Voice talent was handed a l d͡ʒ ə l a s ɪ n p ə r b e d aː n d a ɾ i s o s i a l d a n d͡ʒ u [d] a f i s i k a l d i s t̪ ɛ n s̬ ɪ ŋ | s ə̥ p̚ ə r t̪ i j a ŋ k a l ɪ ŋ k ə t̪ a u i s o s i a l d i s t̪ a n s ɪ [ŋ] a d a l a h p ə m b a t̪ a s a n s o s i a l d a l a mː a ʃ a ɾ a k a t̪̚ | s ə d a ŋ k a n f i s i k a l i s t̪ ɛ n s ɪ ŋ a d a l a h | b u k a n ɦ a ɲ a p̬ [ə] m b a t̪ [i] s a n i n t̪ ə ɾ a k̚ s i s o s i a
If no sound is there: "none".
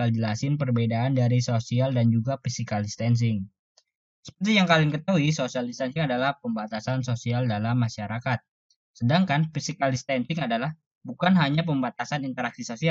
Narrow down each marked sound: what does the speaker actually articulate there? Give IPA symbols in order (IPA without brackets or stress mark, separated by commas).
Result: ɡ, ŋ, ə, a